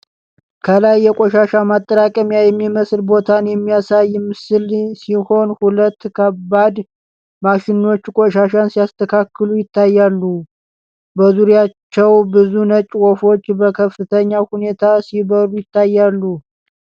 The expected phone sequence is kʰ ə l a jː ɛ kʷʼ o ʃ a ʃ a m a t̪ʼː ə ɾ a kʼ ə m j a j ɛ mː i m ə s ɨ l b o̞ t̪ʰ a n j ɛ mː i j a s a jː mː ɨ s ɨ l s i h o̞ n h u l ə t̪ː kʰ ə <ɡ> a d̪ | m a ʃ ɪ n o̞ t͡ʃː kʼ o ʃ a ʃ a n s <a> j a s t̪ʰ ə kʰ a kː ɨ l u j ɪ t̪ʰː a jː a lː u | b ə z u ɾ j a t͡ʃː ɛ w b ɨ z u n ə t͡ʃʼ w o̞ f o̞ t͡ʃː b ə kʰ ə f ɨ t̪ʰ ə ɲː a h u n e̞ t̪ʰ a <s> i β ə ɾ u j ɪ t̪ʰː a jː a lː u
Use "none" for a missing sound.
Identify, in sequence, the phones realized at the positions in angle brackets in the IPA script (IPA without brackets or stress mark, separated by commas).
b, i, s